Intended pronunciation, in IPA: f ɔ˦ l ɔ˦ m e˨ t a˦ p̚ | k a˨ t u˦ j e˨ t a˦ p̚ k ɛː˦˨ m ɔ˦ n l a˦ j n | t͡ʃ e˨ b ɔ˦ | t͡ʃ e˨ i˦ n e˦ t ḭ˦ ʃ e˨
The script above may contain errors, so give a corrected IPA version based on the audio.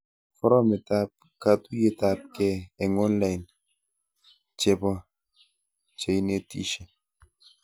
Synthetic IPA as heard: f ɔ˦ ɾ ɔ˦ m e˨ t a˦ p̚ | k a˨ t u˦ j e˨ t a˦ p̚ k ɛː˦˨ ŋ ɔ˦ n l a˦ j n | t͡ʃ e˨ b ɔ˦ | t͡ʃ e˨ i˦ n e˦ t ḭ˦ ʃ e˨

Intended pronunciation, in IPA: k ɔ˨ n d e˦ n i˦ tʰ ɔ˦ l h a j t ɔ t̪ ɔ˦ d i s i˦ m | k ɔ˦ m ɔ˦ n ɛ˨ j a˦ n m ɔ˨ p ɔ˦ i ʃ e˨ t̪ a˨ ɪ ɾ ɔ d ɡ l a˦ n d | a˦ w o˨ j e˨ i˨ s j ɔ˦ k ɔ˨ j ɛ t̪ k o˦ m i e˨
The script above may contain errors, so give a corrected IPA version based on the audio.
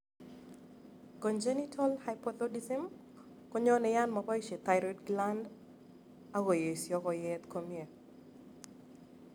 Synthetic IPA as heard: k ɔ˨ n d͡ʒ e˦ n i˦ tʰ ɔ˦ l h a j p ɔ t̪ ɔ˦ d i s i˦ m | k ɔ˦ ɲ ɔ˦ n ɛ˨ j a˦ n m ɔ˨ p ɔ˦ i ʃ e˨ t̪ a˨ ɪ ɾ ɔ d ɡ l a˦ n d | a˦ w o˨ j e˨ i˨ s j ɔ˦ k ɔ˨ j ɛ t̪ k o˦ m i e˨

